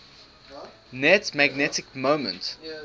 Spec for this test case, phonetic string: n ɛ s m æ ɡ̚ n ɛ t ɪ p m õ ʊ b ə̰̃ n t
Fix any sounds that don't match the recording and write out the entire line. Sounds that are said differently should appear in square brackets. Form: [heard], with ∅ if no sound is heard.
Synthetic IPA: n ɛ [t] m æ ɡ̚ n ɛ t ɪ [k] m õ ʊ [m] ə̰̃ n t